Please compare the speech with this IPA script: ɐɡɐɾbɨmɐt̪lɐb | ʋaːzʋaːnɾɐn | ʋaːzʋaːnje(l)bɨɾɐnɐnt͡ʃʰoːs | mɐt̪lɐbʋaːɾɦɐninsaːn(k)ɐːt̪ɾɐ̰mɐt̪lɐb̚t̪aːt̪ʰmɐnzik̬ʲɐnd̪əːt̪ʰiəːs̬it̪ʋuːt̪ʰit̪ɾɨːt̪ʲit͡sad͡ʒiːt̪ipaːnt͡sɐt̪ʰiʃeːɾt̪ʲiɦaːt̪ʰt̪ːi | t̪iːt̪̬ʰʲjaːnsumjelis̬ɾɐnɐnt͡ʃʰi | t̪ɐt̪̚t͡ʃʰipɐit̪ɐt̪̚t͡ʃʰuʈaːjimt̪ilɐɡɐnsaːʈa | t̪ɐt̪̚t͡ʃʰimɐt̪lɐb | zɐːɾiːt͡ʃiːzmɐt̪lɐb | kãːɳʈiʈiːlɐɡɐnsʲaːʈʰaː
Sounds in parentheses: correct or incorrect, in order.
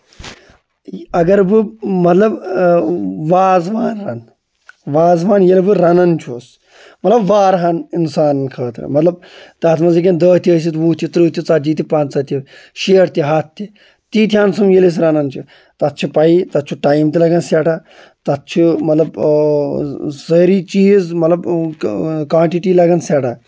correct, incorrect: kʰ

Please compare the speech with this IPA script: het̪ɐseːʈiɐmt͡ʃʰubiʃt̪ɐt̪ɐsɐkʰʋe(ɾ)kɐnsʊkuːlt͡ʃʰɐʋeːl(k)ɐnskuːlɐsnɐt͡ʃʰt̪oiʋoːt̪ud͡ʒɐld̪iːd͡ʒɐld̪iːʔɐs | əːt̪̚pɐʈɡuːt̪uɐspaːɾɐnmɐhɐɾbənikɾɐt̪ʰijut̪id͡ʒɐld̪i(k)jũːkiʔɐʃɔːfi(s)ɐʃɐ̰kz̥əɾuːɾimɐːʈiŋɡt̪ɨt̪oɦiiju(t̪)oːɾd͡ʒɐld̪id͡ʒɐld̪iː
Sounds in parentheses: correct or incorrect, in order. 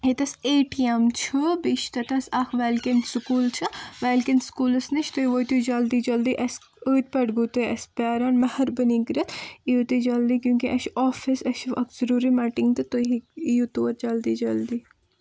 incorrect: l, correct, correct, correct, correct

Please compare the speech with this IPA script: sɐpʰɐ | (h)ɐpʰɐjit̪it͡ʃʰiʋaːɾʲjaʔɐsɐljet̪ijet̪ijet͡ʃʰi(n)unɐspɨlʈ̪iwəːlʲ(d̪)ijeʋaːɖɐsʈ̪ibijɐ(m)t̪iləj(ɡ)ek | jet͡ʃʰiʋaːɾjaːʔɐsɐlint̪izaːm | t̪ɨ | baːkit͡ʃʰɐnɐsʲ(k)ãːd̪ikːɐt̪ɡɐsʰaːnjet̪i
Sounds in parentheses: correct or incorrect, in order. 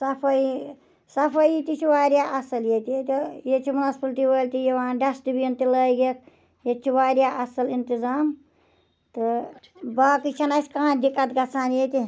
incorrect: s, incorrect: m, incorrect: t̪, incorrect: n, correct, correct

